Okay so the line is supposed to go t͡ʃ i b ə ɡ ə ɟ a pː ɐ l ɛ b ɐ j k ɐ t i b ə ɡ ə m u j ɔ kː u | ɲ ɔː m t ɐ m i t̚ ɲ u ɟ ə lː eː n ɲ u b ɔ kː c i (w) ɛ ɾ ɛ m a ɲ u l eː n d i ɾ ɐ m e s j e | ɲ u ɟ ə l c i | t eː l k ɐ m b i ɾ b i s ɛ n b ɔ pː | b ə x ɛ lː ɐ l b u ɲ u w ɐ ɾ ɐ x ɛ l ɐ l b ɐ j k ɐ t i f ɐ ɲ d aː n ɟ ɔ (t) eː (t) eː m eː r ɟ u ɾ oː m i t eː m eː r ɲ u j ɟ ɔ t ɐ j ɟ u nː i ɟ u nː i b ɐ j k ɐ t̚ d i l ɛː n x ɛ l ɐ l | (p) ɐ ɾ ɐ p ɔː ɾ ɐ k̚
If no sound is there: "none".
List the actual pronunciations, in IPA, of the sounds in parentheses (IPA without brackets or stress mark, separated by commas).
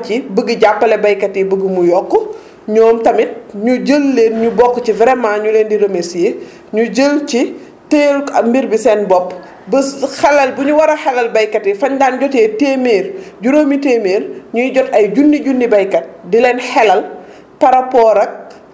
v, t, t, p